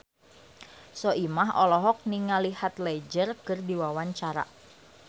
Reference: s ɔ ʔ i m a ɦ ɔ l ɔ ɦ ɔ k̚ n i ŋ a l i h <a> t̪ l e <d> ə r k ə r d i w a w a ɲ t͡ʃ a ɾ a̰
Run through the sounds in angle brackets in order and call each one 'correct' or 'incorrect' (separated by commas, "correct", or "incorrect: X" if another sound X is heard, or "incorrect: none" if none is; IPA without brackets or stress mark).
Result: correct, incorrect: d͡ʒ